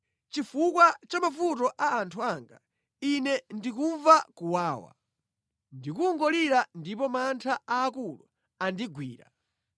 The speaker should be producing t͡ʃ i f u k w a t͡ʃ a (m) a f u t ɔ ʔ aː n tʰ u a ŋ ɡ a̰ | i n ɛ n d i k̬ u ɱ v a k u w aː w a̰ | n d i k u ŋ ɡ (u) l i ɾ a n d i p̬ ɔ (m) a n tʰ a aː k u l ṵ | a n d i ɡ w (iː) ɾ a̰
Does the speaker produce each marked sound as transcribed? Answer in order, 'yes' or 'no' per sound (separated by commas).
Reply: yes, no, yes, yes